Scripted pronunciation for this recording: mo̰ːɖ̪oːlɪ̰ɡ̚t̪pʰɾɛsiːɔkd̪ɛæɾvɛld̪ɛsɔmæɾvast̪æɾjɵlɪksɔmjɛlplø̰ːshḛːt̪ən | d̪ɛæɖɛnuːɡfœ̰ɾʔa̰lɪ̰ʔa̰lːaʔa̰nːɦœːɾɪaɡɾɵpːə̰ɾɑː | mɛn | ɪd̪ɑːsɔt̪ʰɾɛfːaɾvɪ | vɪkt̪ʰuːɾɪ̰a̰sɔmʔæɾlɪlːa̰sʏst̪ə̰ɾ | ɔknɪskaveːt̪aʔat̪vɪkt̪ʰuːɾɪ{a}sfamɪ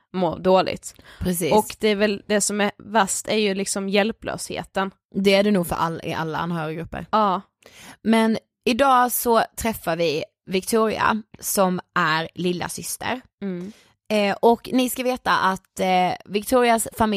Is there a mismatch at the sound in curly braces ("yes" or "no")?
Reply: no